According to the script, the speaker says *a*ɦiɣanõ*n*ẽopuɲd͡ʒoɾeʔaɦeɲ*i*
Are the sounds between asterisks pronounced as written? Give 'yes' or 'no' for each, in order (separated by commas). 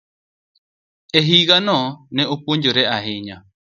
no, yes, no